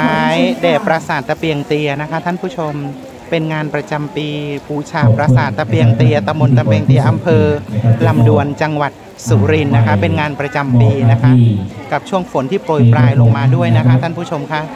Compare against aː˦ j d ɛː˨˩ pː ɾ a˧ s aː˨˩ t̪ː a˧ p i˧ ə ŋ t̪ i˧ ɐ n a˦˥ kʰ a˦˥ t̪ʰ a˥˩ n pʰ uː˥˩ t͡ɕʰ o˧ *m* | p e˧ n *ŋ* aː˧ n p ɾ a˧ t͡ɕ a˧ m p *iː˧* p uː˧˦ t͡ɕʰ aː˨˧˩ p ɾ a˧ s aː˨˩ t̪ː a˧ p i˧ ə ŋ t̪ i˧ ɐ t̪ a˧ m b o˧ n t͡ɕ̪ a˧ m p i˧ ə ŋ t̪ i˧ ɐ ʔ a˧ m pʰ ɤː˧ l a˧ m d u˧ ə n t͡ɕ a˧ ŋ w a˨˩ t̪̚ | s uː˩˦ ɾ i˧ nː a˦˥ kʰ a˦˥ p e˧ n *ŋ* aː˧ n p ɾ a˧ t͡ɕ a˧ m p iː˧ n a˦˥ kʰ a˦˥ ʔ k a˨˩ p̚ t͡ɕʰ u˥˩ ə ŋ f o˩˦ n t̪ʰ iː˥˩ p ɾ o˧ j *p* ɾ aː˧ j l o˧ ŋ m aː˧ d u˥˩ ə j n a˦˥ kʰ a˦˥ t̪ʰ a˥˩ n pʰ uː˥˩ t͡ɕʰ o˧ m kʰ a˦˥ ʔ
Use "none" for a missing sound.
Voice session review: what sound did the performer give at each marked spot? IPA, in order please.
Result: m, ŋ, iː˧, ŋ, p

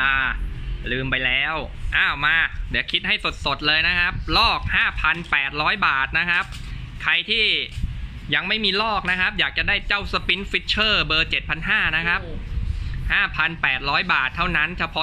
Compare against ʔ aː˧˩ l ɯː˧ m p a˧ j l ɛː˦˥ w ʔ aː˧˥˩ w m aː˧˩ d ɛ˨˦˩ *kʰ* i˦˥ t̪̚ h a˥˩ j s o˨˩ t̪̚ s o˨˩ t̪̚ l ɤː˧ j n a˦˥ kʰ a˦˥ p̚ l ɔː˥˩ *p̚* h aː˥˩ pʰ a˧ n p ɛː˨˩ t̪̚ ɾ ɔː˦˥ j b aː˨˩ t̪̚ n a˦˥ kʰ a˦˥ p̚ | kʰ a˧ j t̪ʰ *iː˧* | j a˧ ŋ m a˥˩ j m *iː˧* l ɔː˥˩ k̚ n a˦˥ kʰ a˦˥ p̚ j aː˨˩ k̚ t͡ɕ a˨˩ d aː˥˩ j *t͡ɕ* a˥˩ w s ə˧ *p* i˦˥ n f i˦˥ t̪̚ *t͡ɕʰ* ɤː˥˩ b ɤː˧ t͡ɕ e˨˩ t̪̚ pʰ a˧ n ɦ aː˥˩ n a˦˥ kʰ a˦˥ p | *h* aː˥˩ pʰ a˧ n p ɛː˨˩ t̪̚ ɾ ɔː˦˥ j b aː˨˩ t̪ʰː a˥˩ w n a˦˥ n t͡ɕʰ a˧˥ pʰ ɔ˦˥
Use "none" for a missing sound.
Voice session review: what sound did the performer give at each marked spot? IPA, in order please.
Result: kʰ, k̚, iː˥˩, iː˧, t͡ɕ, p, t͡ɕʰ, h

